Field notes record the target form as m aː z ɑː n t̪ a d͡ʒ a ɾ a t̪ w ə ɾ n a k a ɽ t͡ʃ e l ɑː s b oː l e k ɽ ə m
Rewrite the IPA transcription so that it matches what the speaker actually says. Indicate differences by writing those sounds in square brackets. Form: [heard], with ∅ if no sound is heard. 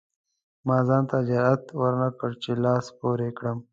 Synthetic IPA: m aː z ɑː n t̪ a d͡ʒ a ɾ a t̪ w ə ɾ n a k [ə] ɽ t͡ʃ e l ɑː s [p] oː [ɾ] e k ɽ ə m